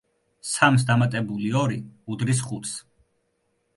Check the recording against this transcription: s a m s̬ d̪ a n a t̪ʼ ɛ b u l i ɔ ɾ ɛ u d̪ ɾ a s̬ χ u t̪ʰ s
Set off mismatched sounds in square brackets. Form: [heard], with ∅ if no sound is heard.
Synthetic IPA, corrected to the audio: s a m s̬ d̪ a [m] a t̪ʼ ɛ b u l i ɔ ɾ [i] u d̪ ɾ [i] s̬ χ u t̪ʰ s